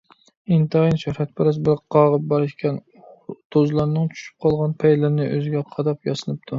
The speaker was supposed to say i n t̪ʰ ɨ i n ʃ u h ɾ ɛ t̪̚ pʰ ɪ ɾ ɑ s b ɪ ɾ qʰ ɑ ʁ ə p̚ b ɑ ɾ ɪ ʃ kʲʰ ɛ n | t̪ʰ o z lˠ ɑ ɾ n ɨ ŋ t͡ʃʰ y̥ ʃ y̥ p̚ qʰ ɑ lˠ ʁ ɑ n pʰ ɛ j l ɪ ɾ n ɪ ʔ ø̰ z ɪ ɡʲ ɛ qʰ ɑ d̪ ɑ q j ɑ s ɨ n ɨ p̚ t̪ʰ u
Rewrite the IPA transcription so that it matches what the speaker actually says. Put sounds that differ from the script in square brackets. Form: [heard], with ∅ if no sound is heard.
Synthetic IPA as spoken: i n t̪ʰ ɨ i n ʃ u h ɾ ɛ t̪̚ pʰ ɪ ɾ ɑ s b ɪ ɾ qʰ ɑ ʁ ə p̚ b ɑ ɾ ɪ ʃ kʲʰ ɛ n | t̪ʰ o z lˠ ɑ ɾ n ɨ ŋ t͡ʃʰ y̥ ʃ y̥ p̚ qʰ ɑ lˠ ʁ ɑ n pʰ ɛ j l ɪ ɾ n ɪ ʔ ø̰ z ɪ ɡʲ ɛ qʰ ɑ d̪ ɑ [p] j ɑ s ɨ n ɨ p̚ t̪ʰ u